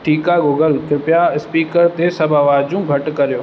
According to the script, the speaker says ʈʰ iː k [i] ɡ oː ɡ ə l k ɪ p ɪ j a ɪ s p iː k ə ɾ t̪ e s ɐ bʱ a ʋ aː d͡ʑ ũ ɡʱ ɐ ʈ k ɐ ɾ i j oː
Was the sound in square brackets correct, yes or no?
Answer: no